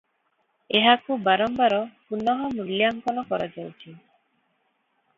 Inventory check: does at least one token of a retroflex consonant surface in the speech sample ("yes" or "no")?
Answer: no